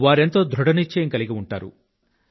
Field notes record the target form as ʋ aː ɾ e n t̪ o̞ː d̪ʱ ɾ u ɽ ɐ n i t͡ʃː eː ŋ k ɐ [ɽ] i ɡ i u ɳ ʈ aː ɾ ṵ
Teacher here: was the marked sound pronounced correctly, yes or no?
no